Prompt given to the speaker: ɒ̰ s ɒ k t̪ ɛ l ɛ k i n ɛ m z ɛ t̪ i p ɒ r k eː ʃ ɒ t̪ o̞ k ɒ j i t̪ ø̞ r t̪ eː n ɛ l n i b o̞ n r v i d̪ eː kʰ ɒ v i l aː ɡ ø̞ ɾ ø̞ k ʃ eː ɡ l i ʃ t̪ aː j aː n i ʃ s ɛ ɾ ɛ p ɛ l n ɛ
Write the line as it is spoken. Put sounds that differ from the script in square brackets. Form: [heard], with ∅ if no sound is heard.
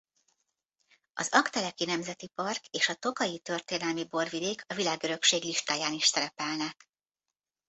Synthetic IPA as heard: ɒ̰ [z] ɒ k t̪ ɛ l ɛ k i n ɛ m z ɛ t̪ i p ɒ r k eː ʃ ɒ t̪ o̞ k ɒ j i t̪ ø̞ r t̪ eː n ɛ l [m] i b o̞ [∅] r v i d̪ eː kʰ ɒ v i l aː ɡ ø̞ ɾ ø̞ k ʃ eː ɡ l i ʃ t̪ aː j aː n i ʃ s ɛ ɾ ɛ p ɛ l n ɛ